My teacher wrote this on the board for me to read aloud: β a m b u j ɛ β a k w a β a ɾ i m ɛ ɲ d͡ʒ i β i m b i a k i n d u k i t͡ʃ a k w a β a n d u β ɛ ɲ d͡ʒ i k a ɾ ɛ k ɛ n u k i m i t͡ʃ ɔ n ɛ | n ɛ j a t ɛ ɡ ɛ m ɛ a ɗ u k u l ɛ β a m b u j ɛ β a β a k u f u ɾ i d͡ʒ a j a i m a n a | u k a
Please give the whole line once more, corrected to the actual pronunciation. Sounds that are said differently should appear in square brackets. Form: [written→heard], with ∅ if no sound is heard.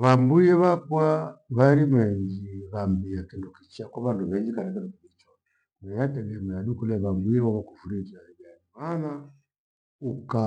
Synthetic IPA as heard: β a m b u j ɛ β a k w a β a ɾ i m ɛ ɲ d͡ʒ i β [i→a] m b i a k i n d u k i t͡ʃ a k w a β a n d u β ɛ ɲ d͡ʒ i k a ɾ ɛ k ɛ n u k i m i t͡ʃ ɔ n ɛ | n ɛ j a t ɛ ɡ ɛ m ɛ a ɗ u k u l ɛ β a m b u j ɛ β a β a k u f u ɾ i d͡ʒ a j a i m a n a | u k a